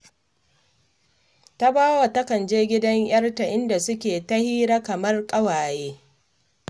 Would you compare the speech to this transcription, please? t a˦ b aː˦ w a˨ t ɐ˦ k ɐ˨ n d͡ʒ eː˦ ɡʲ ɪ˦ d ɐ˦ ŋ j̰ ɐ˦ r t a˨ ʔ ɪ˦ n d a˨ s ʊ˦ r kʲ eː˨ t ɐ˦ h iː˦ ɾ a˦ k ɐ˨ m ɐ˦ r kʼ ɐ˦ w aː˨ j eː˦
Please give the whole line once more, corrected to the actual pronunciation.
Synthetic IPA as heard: t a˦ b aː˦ w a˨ t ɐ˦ k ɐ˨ n d͡ʒ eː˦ ɡʲ ɪ˦ d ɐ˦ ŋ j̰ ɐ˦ r t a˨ ʔ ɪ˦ n d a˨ s ʊ˦ kʲ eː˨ t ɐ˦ h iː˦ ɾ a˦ k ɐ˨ m ɐ˦ r kʼ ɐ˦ w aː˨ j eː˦